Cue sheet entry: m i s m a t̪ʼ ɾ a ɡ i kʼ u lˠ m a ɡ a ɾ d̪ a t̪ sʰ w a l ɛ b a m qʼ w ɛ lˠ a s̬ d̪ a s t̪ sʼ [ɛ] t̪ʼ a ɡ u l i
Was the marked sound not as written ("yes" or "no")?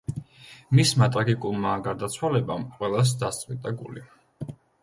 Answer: yes